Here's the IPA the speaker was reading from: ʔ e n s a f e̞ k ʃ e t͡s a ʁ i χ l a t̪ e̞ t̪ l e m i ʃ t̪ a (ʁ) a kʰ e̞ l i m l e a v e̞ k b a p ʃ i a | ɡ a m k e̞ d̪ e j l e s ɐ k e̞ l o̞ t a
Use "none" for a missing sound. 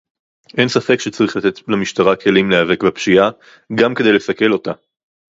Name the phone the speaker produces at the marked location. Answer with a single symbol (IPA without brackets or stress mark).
ʁ